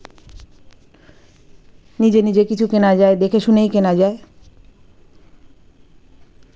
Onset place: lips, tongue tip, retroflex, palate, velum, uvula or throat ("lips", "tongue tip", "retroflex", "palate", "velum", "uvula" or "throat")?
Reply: tongue tip